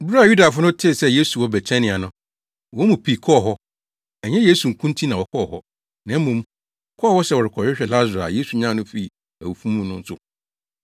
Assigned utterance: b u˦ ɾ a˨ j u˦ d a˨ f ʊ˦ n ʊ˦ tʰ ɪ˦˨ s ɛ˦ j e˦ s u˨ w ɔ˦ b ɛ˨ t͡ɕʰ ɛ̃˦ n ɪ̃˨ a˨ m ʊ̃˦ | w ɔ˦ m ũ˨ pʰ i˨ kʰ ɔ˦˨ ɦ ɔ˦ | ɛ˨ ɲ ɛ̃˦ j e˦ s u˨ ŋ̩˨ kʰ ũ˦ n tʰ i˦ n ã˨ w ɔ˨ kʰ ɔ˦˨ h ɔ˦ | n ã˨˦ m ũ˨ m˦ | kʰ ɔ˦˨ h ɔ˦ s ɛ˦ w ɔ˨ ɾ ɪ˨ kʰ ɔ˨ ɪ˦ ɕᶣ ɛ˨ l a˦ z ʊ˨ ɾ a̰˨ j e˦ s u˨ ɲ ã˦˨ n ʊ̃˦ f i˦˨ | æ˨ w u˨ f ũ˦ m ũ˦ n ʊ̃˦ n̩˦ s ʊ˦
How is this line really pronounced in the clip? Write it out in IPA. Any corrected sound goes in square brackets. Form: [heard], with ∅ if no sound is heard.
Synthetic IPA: b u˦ ɾ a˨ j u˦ d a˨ f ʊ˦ n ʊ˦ tʰ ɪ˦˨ s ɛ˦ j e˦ s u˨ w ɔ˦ b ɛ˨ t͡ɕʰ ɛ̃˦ n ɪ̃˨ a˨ [n] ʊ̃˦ | w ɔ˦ m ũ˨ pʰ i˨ kʰ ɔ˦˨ ɦ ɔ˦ | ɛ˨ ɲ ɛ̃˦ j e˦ s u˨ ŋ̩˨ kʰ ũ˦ n tʰ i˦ n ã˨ w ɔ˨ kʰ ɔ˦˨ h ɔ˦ | n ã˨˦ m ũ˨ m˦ | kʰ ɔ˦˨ h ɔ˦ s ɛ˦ w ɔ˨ ɾ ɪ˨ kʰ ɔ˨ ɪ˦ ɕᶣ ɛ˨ l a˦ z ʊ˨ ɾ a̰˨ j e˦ s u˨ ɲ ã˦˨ n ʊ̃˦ f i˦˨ | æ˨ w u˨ f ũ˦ m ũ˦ n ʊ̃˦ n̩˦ s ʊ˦